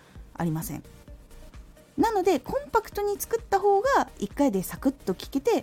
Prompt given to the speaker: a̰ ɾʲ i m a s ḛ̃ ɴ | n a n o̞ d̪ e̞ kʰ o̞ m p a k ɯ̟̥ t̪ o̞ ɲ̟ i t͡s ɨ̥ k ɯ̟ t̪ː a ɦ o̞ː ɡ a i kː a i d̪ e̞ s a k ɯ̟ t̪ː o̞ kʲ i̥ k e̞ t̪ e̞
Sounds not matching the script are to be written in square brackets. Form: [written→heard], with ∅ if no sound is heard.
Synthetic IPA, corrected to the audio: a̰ ɾʲ i m a s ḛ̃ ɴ | n a n o̞ d̪ e̞ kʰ [o̞→õ̞] m p a k ɯ̟̥ t̪ o̞ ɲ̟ i t͡s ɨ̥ k ɯ̟ t̪ː a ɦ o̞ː ɡ a i kː a i d̪ e̞ s a k ɯ̟ t̪ː o̞ kʲ i̥ k e̞ t̪ e̞